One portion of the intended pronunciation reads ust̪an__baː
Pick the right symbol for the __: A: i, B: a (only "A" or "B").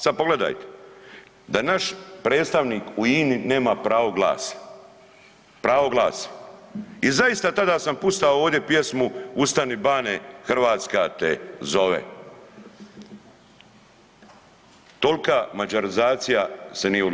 A